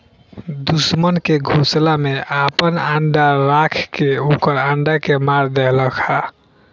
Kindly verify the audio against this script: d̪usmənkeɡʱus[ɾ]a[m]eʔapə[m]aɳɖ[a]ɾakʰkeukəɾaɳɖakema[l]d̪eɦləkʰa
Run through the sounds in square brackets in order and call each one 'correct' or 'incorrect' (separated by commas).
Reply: incorrect, correct, incorrect, correct, incorrect